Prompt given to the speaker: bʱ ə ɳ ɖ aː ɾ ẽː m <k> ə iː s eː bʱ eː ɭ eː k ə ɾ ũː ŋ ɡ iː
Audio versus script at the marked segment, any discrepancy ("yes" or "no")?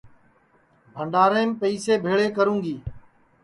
yes